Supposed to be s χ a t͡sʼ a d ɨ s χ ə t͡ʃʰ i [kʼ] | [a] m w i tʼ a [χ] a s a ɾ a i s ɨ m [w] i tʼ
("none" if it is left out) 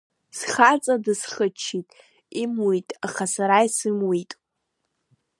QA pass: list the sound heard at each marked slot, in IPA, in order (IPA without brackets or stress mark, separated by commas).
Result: tʼ, i, χ, w